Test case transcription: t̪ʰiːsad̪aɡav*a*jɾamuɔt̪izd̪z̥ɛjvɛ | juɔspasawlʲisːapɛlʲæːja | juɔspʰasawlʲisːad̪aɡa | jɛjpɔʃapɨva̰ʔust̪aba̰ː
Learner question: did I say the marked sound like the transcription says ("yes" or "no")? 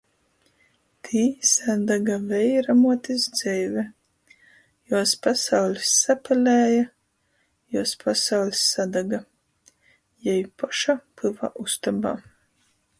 no